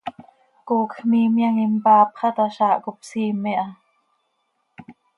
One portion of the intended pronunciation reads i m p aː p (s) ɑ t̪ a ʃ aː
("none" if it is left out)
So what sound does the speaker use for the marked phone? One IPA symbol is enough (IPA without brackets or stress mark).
χ